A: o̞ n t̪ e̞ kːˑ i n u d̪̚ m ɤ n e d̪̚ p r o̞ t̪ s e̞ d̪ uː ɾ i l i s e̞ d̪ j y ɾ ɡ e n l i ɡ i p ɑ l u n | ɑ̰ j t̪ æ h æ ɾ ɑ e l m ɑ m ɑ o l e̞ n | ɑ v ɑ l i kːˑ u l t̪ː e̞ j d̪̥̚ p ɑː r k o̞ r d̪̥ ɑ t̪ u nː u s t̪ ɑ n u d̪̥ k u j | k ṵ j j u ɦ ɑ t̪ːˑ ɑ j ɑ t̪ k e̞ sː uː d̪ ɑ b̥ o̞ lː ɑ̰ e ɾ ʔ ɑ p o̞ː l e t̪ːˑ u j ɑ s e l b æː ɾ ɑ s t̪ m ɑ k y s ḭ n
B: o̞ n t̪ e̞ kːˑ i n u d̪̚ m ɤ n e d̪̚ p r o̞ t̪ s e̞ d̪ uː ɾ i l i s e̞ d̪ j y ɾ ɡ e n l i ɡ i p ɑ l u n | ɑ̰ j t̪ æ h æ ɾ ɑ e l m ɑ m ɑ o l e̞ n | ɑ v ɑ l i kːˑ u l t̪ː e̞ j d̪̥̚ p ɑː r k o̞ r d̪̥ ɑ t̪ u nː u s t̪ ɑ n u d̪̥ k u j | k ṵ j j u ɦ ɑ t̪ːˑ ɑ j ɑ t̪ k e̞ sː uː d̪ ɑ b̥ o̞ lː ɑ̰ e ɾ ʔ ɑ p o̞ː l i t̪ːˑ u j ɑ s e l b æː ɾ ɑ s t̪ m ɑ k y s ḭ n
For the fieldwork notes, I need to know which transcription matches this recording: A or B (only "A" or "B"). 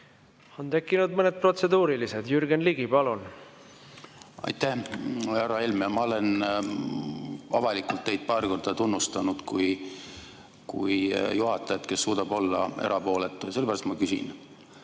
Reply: A